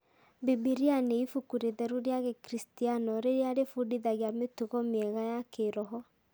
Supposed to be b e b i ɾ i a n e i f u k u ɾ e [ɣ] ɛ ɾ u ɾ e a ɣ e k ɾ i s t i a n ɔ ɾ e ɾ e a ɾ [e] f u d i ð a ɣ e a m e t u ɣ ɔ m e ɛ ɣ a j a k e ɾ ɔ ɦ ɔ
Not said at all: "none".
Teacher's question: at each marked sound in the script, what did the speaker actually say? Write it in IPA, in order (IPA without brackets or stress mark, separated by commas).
ð, e